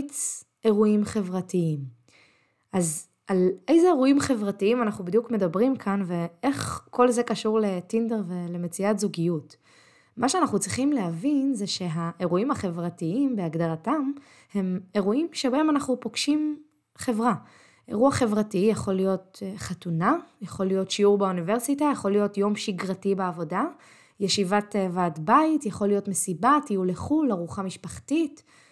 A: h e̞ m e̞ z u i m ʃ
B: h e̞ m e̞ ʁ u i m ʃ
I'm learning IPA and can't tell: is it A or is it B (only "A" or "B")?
B